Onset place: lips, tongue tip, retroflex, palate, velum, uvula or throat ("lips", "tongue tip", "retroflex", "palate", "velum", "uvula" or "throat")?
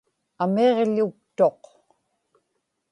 lips